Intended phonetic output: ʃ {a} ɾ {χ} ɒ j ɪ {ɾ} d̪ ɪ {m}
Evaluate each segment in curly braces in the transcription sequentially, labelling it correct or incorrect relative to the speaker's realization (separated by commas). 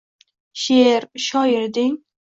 incorrect, incorrect, correct, incorrect